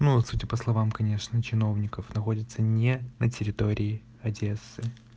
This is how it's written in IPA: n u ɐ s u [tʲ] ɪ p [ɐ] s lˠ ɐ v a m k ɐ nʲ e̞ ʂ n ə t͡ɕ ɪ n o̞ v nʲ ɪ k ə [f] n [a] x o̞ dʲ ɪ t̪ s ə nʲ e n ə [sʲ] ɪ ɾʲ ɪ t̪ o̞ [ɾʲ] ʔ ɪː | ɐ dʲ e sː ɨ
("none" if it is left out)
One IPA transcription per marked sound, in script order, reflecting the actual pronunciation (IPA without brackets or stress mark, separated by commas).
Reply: tʲ, ə, f, ɐ, tʲ, ɾʲ